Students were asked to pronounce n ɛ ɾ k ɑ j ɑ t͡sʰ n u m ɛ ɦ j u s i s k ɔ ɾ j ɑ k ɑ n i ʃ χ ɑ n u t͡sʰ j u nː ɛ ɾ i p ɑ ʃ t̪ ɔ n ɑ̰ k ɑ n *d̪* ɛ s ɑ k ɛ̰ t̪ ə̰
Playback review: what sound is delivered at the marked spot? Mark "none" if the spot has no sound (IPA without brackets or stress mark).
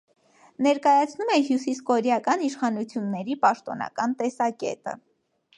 t̪